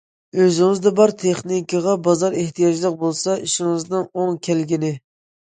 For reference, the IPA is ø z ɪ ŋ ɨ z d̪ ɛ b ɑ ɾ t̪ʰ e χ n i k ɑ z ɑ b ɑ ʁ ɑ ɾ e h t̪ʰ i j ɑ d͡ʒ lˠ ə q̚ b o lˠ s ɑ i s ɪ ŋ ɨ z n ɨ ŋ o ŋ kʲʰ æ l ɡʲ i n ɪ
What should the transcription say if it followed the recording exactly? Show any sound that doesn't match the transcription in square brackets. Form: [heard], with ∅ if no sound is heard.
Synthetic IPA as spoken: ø z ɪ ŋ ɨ z d̪ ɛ b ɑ ɾ t̪ʰ e χ n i k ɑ [ʁ] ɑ b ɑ [z] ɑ ɾ e h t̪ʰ i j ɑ d͡ʒ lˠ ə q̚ b o lˠ s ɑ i [ʃ] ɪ ŋ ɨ z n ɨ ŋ o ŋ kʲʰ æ l ɡʲ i n ɪ